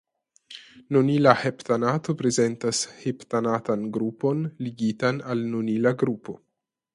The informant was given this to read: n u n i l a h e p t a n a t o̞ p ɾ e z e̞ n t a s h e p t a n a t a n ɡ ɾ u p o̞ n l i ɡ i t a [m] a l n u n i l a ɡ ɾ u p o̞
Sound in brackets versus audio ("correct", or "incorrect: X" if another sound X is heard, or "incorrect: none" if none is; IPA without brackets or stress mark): incorrect: n